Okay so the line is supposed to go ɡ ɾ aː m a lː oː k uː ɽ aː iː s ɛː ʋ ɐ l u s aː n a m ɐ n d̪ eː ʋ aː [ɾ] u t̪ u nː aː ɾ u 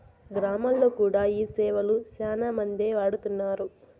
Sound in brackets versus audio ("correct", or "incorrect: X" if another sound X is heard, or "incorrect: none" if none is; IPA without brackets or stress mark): incorrect: ɽ